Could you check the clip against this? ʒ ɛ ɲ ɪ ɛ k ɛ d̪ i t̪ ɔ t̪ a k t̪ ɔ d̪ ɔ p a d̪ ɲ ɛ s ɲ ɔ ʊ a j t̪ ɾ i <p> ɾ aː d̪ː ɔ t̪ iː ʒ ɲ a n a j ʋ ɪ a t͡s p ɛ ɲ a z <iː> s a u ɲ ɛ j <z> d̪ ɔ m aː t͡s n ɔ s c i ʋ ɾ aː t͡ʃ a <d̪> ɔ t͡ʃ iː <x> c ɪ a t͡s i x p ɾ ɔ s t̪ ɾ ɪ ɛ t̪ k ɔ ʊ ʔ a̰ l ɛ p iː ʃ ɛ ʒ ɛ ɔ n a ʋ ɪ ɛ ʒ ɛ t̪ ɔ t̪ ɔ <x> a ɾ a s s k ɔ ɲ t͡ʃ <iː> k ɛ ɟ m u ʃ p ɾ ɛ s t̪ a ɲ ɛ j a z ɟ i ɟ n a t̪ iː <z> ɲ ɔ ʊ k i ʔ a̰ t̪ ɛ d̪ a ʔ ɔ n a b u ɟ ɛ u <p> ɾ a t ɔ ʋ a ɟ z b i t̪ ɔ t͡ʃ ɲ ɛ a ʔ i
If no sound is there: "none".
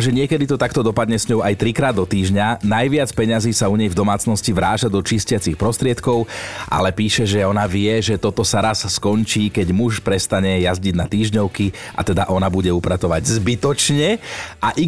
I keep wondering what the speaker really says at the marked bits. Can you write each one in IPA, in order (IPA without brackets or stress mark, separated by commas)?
k, iː, v, d̪, s, s, iː, ʒ, p